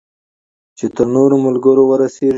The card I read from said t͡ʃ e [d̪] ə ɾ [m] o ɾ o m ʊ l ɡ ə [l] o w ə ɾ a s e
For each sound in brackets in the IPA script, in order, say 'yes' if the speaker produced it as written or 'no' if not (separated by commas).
no, no, no